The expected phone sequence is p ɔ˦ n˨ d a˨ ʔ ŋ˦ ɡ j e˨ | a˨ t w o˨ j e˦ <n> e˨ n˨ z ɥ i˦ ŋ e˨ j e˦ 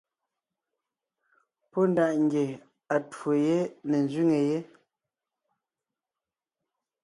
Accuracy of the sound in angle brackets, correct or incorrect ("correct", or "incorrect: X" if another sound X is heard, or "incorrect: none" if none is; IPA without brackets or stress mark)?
correct